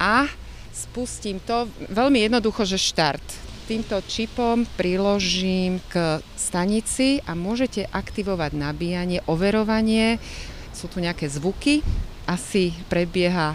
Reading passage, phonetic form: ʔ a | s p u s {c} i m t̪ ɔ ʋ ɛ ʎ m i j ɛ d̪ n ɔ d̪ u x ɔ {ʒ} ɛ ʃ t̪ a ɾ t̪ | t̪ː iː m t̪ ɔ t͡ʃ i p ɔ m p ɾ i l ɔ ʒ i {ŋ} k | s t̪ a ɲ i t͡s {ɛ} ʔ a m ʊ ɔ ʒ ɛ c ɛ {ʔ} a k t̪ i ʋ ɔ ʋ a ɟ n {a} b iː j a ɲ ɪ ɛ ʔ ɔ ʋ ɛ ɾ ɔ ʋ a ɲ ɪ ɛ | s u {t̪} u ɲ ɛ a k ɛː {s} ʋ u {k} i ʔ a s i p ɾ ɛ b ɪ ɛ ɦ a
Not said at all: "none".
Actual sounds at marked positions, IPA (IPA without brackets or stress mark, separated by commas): c, ʒ, m, i, ʔ, a, t̪, z, k